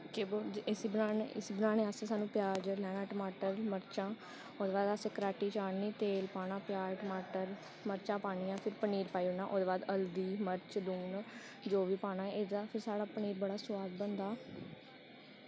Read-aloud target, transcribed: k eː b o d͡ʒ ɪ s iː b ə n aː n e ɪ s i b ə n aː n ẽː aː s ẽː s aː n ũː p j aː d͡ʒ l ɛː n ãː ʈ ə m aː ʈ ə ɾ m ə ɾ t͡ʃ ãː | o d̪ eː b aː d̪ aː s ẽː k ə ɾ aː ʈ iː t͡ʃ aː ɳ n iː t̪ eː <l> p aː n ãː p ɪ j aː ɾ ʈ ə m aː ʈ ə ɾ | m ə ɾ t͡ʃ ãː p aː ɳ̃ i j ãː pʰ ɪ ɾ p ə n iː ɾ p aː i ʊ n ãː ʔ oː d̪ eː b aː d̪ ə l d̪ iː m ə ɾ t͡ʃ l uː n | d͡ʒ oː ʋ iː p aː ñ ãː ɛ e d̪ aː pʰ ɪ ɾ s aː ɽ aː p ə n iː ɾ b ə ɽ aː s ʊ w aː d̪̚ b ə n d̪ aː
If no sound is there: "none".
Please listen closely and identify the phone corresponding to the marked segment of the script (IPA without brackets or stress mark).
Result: l